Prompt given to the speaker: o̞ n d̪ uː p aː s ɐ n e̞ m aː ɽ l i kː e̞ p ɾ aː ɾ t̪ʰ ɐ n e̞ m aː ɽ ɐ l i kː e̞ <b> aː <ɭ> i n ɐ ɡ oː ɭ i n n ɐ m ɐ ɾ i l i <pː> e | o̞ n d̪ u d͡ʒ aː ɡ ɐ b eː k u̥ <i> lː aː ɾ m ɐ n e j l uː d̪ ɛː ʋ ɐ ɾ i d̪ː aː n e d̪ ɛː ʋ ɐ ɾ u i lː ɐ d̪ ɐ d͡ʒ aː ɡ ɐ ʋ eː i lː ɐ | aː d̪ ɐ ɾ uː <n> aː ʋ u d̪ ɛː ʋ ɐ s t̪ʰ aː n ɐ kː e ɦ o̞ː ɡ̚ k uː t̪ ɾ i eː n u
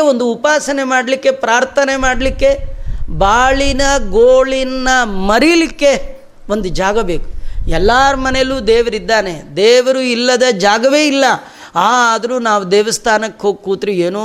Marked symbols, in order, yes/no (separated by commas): yes, yes, no, no, yes